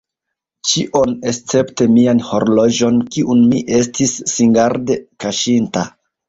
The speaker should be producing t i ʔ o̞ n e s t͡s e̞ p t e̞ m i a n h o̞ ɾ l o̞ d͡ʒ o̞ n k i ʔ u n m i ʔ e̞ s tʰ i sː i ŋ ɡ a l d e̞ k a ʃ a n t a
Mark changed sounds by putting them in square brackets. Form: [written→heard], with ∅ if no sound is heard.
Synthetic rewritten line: [t→t͡ʃ] i ʔ o̞ n e s t͡s e̞ p t e̞ m i a n h o̞ ɾ l o̞ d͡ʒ o̞ n k i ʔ u n m i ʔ e̞ s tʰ i sː i ŋ ɡ a [l→ɾ] d e̞ k a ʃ [a→i] n t a